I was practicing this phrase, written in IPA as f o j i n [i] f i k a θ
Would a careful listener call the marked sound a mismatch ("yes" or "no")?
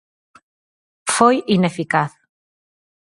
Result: yes